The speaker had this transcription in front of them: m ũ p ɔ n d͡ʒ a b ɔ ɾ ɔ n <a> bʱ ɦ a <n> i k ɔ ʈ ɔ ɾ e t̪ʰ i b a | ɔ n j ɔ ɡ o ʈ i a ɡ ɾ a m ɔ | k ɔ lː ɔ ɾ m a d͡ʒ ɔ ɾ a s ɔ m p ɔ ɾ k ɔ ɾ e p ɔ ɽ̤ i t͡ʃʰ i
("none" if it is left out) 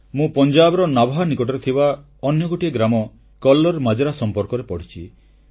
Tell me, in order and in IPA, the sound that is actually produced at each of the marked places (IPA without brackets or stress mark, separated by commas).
a, n